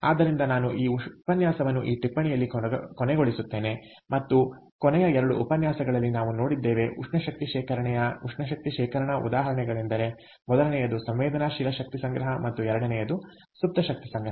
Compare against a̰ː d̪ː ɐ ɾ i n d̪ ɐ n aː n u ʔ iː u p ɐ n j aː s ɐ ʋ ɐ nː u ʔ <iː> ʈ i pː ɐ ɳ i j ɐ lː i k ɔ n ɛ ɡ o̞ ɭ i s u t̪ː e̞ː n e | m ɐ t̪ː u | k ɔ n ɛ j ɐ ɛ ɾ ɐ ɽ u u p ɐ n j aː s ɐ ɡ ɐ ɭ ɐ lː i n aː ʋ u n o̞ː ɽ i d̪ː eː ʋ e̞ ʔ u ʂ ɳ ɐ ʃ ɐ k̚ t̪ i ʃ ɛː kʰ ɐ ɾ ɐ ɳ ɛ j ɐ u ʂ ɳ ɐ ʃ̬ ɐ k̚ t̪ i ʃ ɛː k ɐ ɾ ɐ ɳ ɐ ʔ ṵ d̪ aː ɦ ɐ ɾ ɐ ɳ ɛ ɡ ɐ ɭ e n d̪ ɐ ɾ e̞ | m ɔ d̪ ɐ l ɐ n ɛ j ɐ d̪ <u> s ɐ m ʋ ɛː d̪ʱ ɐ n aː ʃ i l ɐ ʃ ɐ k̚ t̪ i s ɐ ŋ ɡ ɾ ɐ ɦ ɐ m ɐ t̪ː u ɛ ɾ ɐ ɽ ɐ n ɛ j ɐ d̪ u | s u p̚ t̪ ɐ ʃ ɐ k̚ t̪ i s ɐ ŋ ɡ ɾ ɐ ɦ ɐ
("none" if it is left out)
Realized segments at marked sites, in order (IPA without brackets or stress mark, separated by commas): iː, u